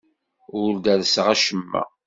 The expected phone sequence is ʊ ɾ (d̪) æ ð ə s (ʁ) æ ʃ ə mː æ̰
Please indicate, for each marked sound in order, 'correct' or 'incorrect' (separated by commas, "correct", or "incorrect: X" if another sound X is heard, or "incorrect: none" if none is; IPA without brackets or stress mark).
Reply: correct, correct